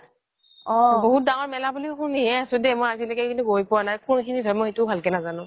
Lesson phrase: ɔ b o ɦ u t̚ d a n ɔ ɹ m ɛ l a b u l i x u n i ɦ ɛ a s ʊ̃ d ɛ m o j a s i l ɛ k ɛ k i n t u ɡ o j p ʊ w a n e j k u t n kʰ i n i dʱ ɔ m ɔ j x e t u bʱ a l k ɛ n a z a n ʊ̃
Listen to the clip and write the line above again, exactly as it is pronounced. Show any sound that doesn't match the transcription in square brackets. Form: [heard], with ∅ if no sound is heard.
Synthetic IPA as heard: ɔ b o ɦ u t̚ d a [ŋ] ɔ ɹ m ɛ l a b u l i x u n i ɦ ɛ a s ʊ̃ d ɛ m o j a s i l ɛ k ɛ k i n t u ɡ o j p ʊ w a n [a] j k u [∅] n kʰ i n i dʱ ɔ m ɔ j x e t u bʱ a l k ɛ n a z a n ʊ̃

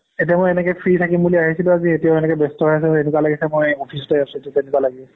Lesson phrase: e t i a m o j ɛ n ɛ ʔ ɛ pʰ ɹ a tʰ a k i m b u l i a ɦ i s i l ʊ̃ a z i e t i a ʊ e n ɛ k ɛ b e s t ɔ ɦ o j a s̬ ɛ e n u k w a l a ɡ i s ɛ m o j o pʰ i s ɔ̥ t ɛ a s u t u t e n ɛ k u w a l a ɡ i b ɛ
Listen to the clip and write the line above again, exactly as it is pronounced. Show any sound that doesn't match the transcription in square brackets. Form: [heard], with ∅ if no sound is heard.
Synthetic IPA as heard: e t i a m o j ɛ n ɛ [k] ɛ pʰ ɹ [i] tʰ a k i m b u l i a ɦ i s i l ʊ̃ a z i e t i a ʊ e n ɛ k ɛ b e s t ɔ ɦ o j a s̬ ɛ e n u k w a l a ɡ i s ɛ m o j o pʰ i s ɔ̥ t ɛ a s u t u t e n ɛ k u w a l a ɡ i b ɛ

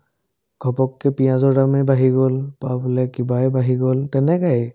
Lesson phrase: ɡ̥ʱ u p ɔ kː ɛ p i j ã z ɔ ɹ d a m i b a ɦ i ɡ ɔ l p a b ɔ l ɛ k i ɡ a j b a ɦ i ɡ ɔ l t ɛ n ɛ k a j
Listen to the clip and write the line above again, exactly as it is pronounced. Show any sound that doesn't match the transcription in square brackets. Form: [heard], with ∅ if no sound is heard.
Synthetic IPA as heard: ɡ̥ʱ [ɔ] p ɔ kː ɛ p i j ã z ɔ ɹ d a m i b a ɦ i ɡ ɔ l p a b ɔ l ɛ k i [b] a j b a ɦ i ɡ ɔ l t ɛ n ɛ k a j

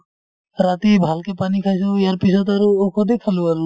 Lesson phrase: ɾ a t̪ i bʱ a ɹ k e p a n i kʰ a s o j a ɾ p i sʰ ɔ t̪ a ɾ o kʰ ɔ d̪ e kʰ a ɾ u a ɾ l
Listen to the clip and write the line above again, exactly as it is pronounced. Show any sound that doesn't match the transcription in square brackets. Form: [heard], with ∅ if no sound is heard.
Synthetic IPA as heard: ɾ a t̪ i bʱ a [l] k e p a n i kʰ a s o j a ɾ p i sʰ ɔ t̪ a ɾ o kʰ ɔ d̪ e kʰ a [l] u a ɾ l

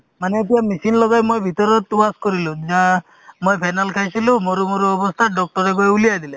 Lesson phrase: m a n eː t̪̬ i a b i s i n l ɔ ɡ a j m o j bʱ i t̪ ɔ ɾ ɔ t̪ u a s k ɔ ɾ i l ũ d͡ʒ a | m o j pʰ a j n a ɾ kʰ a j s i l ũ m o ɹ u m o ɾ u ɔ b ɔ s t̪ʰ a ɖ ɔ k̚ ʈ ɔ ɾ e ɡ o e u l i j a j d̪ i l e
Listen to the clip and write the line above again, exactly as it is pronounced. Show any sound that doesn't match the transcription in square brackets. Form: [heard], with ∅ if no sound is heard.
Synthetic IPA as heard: m a n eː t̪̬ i a [m] i s i n l ɔ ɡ a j m o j bʱ i t̪ ɔ ɾ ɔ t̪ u a s k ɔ ɾ i l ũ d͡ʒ a | m o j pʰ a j n a [l] kʰ a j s i l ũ m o [ɾ] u m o ɾ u ɔ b ɔ s t̪ʰ a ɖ ɔ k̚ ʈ ɔ ɾ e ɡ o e u l i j a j d̪ i l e

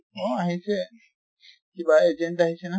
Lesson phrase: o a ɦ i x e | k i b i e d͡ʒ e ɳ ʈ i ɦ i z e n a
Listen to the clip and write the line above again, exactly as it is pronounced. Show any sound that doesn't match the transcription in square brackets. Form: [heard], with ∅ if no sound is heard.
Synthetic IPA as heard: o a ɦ i [s] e | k i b [a] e d͡ʒ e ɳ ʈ [a] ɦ i [s] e n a

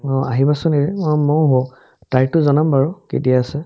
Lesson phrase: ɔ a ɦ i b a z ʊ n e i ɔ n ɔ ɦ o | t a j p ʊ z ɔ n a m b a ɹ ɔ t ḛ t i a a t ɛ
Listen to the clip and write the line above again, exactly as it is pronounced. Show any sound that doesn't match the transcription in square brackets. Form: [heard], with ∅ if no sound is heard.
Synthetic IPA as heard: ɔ a ɦ i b a [s] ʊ n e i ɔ [m] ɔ ɦ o | t a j [t] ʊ z ɔ n a m b a ɹ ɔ [k] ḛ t i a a [s] ɛ

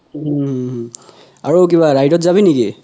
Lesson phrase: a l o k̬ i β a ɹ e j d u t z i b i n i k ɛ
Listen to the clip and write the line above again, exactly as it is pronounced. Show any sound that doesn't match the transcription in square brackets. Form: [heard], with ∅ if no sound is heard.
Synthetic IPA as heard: a [ɹ] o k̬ i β a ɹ [a] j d [ɔ] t z [a] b i n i k [i]

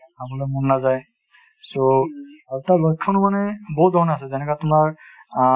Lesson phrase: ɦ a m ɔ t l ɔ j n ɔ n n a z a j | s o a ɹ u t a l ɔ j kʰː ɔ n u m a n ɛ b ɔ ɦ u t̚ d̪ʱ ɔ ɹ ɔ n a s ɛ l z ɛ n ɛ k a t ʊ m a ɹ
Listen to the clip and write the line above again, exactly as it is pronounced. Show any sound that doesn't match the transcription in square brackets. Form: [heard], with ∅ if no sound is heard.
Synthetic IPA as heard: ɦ a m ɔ [∅] l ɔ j [m] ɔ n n a z a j | s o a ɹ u t a l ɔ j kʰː ɔ n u m a n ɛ b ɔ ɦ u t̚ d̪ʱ ɔ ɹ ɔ n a s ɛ [∅] z ɛ n ɛ k a t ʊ m a ɹ

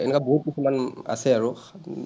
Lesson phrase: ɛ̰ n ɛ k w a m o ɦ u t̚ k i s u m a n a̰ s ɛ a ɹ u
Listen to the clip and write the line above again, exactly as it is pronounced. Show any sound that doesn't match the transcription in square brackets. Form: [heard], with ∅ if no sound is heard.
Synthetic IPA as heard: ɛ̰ n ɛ k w a [b] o ɦ u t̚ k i s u m a n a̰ s ɛ a ɹ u

